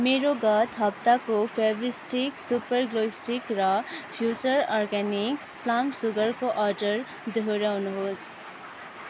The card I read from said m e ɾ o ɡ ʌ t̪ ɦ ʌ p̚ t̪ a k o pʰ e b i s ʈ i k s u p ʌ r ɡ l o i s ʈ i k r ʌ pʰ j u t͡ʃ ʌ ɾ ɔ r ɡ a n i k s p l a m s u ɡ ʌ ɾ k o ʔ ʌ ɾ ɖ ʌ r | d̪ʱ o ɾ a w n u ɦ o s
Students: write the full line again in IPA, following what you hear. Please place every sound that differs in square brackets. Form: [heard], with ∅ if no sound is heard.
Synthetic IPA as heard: m e ɾ o ɡ ʌ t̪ ɦ ʌ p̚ t̪ a k o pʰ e b i s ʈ i k s u p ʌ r ɡ l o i s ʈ i k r ʌ pʰ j u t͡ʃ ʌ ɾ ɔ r ɡ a n i k s p l a m s u ɡ ʌ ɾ k o ʔ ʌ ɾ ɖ ʌ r | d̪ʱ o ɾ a w n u ɦ o s

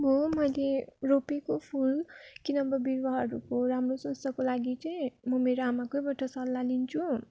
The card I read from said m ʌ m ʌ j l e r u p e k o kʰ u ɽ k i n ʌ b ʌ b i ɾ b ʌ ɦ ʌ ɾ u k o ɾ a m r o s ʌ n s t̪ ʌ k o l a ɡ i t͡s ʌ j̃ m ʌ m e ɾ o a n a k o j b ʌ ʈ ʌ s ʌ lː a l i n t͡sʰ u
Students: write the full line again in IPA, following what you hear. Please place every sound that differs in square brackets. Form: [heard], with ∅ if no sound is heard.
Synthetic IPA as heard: m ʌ m ʌ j l e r [o] p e k o [pʰ] u [l] k i n ʌ b ʌ b i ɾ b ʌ ɦ ʌ ɾ u k o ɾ a m r o s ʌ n s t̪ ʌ k o l a ɡ i t͡s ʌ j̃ m ʌ m e ɾ o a [m] a k o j b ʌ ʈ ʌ s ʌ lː a l i n t͡sʰ u

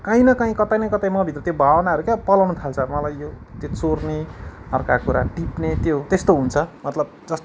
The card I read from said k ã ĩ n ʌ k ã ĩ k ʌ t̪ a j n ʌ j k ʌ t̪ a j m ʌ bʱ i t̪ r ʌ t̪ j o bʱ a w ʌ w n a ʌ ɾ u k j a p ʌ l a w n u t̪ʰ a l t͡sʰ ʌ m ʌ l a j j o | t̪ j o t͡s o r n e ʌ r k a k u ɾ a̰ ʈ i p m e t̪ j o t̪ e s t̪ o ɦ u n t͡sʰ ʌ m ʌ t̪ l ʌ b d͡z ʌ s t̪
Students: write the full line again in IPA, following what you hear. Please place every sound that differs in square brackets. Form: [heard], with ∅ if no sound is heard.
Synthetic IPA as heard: k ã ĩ n ʌ k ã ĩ k ʌ t̪ a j n ʌ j k ʌ t̪ a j m ʌ bʱ i t̪ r ʌ t̪ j o bʱ a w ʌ [∅] n a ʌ ɾ u k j a p ʌ l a w n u t̪ʰ a l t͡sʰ ʌ m ʌ l a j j o | t̪ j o t͡s o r n e ʌ r k a k u ɾ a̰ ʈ i p [n] e t̪ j o t̪ e s t̪ o ɦ u n t͡sʰ ʌ m ʌ t̪ l ʌ b d͡z ʌ s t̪

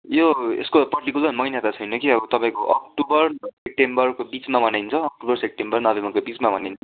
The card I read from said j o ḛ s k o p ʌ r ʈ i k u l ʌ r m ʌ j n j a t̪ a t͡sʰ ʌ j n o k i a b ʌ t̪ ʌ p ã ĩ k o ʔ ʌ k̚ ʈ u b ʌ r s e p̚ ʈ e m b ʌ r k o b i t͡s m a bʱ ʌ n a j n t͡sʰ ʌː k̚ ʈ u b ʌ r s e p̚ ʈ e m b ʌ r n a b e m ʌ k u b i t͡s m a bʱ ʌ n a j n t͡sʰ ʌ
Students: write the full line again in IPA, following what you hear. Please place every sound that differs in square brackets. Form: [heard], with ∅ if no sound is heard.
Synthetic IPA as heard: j o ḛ s k o p ʌ r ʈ i k u l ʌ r m ʌ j n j a t̪ a t͡sʰ ʌ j n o k i [ʌ] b ʌ t̪ ʌ p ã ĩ k o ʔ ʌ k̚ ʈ u b ʌ r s e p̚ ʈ e m b ʌ r k o b i t͡s m a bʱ ʌ n a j n t͡sʰ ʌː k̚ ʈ u b ʌ r s e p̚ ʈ e m b ʌ r n [ʌ] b e m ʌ k [o] b i t͡s m a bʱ ʌ n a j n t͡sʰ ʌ

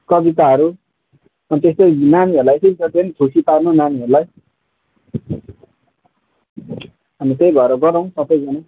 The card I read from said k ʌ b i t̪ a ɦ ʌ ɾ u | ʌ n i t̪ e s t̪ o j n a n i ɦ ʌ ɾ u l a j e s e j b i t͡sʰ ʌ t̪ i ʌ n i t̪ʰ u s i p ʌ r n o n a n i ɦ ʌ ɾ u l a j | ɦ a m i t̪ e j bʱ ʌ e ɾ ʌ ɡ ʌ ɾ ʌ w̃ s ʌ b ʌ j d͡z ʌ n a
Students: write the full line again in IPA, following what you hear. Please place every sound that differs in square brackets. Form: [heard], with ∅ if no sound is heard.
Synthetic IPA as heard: k ʌ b i t̪ a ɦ ʌ ɾ u | ʌ n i t̪ e s t̪ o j n a n i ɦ ʌ ɾ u l a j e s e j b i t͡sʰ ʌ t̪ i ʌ n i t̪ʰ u s i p [a] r n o n a n i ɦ ʌ ɾ u l a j | ɦ a m i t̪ e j bʱ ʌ e ɾ ʌ ɡ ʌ ɾ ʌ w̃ s ʌ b ʌ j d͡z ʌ n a

